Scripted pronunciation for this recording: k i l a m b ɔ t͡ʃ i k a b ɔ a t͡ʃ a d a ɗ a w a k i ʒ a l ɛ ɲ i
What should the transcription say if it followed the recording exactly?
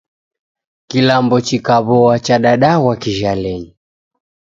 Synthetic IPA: k i l a m b ɔ t͡ʃ i k a β ɔ a t͡ʃ a ɗ a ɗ a w a k i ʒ a l ɛ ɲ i